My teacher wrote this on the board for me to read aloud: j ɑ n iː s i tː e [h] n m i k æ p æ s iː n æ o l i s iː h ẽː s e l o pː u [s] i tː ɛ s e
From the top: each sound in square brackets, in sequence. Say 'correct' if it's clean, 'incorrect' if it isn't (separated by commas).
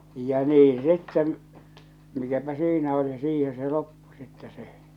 incorrect, correct